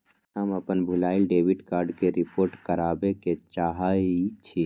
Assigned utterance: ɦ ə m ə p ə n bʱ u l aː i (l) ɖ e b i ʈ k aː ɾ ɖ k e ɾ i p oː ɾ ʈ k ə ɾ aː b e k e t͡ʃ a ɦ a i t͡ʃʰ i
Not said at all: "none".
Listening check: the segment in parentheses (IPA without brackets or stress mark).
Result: l